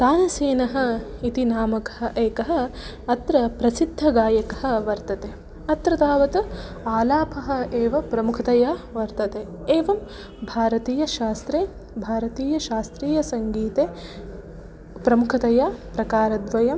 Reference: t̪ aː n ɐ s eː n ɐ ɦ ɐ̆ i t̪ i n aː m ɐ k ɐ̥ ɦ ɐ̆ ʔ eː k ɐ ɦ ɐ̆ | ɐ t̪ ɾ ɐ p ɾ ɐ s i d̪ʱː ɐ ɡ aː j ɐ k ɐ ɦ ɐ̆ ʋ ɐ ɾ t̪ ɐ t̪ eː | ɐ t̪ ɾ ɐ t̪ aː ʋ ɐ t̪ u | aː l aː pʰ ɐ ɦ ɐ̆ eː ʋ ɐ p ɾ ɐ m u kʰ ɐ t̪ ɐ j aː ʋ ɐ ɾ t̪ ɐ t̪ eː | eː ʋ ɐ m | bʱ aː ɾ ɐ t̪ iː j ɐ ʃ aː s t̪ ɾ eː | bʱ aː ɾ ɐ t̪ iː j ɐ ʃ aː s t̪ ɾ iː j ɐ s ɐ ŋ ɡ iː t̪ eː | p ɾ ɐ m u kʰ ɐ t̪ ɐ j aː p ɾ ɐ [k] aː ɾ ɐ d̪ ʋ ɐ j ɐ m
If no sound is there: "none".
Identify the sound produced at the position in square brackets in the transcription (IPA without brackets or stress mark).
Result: k